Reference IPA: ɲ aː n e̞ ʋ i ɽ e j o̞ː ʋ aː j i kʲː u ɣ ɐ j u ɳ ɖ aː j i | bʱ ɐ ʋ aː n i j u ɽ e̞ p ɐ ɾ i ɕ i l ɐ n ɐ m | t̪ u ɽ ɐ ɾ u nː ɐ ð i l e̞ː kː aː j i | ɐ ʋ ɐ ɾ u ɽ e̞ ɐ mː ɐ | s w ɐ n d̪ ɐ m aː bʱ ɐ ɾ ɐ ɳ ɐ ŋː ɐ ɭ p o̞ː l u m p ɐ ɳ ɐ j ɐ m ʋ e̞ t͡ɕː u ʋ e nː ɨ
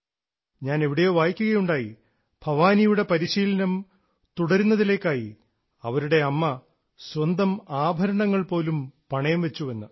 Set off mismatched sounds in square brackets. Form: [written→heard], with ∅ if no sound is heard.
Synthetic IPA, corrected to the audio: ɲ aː n e̞ ʋ i ɽ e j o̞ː ʋ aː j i kʲː u ɣ ɐ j u ɳ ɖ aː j i | bʱ ɐ ʋ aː n i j u ɽ e̞ p ɐ ɾ i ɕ [i→iː] l ɐ n ɐ m | t̪ u ɽ ɐ ɾ u nː ɐ ð i l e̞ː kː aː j i | ɐ ʋ ɐ ɾ u ɽ e̞ ɐ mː ɐ | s w ɐ n d̪ ɐ m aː bʱ ɐ ɾ ɐ ɳ ɐ ŋː ɐ ɭ p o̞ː l u m p ɐ ɳ ɐ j ɐ m ʋ e̞ t͡ɕː u ʋ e nː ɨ

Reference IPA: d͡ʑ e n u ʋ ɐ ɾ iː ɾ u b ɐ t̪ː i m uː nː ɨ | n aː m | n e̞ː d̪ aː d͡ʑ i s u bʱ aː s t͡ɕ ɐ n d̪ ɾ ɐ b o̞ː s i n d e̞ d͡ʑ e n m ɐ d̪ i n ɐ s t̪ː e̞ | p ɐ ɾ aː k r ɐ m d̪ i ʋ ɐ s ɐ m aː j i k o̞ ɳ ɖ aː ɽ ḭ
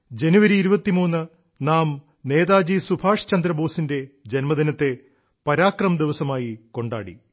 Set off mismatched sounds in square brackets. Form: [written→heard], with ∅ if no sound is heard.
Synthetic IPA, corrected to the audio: d͡ʑ e n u ʋ ɐ ɾ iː ɾ u b ɐ t̪ː i m uː nː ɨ | n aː m | n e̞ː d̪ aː d͡ʑ i s u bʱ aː [s→ʂ] t͡ɕ ɐ n d̪ ɾ ɐ b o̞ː s i n d e̞ d͡ʑ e n m ɐ d̪ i n ɐ [s→∅] t̪ː e̞ | p ɐ ɾ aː k r ɐ m d̪ i ʋ ɐ s ɐ m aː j i k o̞ ɳ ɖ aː ɽ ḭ

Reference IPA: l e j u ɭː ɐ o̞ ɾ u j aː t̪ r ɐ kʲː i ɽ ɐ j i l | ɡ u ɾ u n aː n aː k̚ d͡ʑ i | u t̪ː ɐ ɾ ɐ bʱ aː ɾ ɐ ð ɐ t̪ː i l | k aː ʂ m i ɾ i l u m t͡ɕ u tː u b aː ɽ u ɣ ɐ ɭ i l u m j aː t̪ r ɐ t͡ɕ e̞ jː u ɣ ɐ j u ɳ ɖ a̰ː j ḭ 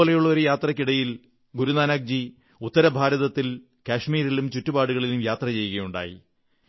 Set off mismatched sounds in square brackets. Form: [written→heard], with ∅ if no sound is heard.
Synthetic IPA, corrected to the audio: l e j u ɭː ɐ o̞ ɾ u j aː t̪ r ɐ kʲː i ɽ ɐ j i l | ɡ u ɾ u n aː n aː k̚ d͡ʑ i | u t̪ː ɐ ɾ ɐ bʱ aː ɾ ɐ ð ɐ t̪ː i l | k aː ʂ m [i→iː] ɾ i l u m t͡ɕ u tː u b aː ɽ u ɣ ɐ ɭ i l u m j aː t̪ r ɐ t͡ɕ e̞ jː u ɣ ɐ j u ɳ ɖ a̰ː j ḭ

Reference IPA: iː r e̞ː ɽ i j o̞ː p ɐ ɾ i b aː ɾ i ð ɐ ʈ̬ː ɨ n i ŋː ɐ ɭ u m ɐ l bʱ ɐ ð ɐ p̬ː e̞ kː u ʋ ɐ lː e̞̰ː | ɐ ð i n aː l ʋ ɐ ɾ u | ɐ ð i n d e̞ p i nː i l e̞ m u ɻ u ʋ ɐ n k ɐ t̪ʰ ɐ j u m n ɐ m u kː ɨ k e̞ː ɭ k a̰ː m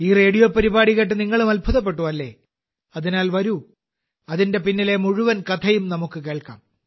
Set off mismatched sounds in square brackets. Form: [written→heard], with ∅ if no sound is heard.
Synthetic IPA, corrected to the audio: iː r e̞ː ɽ i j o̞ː p ɐ ɾ i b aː [ɾ→ɽ] i [ð→ɣ] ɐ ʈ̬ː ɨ n i ŋː ɐ ɭ u m ɐ l bʱ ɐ ð ɐ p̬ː e̞ [kː→ʈː] u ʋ ɐ lː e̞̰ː | ɐ ð i n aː l ʋ ɐ ɾ u | ɐ ð i n d e̞ p i nː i l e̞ m u ɻ u ʋ ɐ n k ɐ t̪ʰ ɐ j u m n ɐ m u kː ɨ k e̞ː ɭ k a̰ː m

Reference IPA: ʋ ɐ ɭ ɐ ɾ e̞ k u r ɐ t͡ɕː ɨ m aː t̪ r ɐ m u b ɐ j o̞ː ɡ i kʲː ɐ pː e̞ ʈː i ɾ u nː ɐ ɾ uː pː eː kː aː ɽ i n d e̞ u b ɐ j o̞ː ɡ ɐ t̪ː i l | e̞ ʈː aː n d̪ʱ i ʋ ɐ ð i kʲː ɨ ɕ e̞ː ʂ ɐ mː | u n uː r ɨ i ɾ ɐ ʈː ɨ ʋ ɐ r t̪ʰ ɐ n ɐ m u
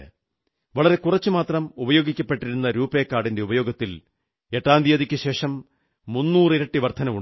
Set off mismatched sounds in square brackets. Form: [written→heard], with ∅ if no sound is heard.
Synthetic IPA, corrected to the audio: ʋ ɐ ɭ ɐ ɾ e̞ k u r ɐ t͡ɕː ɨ m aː t̪ r ɐ m u b ɐ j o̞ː ɡ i kʲː ɐ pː e̞ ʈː i ɾ u nː ɐ ɾ uː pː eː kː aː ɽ i n d e̞ u b ɐ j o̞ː ɡ ɐ t̪ː i l | e̞ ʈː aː n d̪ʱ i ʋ ɐ ð i kʲː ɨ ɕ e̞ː ʂ ɐ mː | u [n→nː] uː r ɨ i ɾ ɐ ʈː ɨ ʋ ɐ r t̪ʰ ɐ n ɐ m u

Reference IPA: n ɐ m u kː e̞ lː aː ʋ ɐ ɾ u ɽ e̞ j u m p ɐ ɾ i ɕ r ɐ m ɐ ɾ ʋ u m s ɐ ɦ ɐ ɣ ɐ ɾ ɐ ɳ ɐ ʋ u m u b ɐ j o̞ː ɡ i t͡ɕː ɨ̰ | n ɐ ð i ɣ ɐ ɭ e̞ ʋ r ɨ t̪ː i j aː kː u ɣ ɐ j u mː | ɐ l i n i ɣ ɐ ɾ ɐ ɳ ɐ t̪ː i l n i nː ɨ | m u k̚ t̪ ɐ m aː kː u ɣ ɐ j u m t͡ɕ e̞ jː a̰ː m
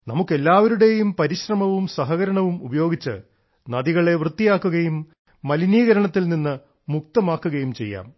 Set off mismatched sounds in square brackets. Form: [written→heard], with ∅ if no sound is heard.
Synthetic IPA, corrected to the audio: n ɐ m u kː e̞ lː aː ʋ ɐ ɾ u ɽ e̞ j u m p ɐ ɾ i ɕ r ɐ m ɐ [ɾ→∅] ʋ u m s ɐ ɦ ɐ ɣ ɐ ɾ ɐ ɳ ɐ ʋ u m u b ɐ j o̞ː ɡ i t͡ɕː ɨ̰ | n ɐ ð i ɣ ɐ ɭ e̞ ʋ r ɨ t̪ː i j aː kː u ɣ ɐ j u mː | ɐ l i n [i→iː] ɣ ɐ ɾ ɐ ɳ ɐ t̪ː i l n i nː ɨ | m u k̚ t̪ ɐ m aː kː u ɣ ɐ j u m t͡ɕ e̞ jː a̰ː m

